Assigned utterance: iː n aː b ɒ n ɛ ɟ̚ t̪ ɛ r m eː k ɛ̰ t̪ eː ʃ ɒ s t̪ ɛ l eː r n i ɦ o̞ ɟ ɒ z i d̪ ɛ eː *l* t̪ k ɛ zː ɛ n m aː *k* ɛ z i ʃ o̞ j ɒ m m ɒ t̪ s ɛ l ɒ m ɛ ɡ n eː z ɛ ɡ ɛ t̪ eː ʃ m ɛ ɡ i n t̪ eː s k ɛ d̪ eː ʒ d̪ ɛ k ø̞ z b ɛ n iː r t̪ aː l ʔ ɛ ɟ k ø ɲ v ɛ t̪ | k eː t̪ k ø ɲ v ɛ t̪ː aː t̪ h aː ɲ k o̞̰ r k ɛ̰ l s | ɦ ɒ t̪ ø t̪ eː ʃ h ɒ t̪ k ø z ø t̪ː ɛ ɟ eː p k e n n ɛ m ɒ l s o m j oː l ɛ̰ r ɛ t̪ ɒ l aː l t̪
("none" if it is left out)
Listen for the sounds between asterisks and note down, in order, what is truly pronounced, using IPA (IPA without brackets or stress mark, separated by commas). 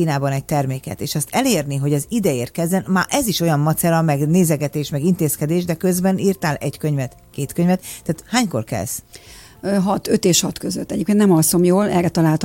r, ʔ